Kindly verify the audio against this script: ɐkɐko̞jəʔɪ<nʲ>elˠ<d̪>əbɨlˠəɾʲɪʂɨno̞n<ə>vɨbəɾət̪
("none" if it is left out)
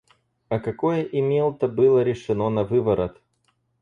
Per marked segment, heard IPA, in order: mʲ, t̪, ɐ

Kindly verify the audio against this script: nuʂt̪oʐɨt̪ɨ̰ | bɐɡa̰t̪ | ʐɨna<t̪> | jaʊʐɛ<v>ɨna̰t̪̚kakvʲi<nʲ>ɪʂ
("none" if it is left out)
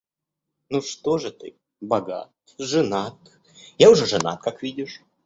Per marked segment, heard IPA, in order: t̪, ʐ, dʲ

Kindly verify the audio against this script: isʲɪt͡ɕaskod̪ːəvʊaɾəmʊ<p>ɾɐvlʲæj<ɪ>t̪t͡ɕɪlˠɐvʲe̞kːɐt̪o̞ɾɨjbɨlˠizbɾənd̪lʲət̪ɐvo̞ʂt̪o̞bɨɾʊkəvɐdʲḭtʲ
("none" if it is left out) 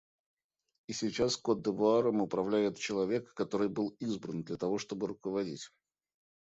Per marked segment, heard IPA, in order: p, ɪ

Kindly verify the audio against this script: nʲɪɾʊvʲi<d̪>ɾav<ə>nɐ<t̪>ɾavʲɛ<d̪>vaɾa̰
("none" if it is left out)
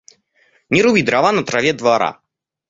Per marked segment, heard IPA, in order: d̪, a, t̪, d̪

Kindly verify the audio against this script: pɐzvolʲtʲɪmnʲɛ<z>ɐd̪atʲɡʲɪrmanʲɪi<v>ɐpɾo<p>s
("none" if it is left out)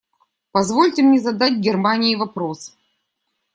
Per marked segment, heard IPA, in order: z, v, none

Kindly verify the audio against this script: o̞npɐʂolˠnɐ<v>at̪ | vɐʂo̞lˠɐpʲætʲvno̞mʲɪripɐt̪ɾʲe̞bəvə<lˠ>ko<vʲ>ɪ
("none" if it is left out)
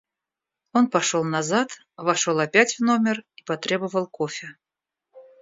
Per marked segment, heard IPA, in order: z, lˠ, fʲ

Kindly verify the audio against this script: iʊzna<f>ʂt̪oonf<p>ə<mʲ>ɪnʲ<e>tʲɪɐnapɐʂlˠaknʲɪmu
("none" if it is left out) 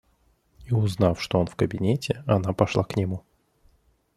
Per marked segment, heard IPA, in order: f, k, bʲ, e

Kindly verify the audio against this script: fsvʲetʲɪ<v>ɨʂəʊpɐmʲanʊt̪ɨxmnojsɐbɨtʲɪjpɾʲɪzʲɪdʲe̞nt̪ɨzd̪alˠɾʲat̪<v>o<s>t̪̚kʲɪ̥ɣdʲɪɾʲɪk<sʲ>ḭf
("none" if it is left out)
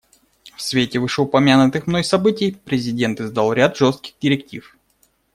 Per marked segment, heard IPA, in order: v, ʐ, s, tʲ

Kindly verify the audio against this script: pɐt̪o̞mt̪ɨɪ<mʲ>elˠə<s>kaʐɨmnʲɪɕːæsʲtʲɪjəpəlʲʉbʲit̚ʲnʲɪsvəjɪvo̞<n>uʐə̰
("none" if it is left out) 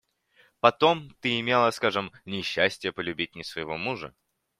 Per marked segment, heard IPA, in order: mʲ, s, m

